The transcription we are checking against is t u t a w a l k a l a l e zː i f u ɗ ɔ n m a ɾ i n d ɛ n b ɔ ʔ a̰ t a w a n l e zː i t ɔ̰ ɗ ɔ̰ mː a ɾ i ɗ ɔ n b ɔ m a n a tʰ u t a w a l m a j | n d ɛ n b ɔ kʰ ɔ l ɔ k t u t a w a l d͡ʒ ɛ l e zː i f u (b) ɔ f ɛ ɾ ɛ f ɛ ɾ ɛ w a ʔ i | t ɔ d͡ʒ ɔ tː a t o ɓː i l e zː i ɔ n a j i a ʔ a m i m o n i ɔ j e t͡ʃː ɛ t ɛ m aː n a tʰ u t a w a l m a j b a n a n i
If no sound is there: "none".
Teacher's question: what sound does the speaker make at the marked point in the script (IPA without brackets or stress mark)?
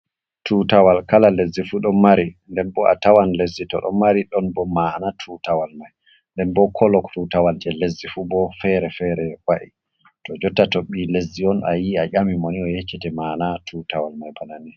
b